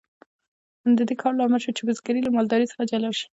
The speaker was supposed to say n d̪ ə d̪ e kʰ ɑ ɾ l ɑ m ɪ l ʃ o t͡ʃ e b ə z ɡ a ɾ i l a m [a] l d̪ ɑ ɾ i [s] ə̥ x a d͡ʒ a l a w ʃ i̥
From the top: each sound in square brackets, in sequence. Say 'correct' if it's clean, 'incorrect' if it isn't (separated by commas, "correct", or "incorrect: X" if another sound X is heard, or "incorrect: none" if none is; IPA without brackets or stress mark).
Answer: incorrect: ɑ, correct